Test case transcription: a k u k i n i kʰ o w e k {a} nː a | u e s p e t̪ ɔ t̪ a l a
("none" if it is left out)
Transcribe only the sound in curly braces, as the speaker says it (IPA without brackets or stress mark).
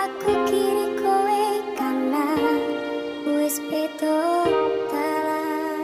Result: a